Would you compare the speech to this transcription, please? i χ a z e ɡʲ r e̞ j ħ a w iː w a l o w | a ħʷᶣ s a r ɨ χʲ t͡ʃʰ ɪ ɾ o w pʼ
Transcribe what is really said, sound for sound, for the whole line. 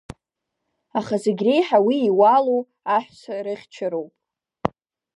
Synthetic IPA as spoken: a χ a z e ɡʲ r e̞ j ħ a w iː w a l o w | a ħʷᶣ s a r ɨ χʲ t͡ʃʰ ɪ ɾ o w pʼ